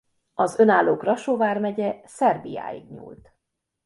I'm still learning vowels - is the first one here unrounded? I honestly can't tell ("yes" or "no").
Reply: no